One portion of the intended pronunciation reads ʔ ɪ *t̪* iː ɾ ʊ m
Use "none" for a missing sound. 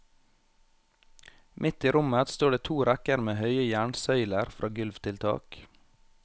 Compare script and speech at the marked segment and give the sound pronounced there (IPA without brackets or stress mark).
t̪